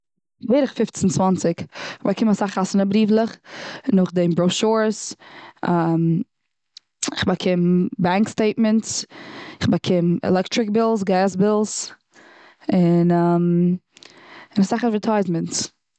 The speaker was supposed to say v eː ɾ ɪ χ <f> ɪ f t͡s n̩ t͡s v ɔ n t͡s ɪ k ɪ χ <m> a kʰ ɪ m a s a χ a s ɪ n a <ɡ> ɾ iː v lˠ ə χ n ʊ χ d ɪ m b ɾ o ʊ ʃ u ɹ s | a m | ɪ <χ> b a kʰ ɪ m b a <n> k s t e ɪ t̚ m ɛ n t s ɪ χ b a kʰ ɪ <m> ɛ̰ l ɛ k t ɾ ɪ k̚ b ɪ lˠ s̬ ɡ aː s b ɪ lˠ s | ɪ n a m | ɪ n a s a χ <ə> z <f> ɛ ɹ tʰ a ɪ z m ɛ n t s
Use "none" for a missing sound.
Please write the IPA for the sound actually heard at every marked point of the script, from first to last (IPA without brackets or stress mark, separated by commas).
f, b, b, χ, ŋ, m, a, v